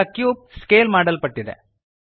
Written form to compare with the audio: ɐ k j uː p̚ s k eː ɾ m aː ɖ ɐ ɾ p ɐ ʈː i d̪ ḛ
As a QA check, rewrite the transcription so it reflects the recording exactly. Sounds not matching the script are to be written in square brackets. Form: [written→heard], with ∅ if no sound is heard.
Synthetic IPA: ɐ k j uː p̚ s k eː [ɾ→l] m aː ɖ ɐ [ɾ→l] p ɐ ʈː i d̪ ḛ